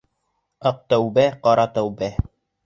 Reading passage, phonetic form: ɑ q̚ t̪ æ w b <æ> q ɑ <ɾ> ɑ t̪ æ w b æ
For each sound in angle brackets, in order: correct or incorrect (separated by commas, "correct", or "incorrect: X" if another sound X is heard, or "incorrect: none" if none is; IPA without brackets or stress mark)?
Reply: correct, correct